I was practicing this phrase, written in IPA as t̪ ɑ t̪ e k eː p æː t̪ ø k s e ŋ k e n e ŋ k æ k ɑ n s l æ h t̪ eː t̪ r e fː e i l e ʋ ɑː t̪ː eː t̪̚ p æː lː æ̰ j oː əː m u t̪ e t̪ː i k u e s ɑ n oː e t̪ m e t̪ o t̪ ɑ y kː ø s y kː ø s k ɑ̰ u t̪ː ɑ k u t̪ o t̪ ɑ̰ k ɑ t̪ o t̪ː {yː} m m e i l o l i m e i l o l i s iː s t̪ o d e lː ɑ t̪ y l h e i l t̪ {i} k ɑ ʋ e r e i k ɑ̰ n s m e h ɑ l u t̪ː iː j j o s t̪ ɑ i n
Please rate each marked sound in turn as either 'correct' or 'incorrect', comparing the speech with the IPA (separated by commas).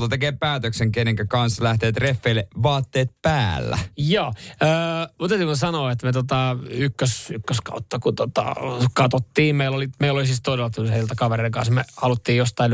incorrect, incorrect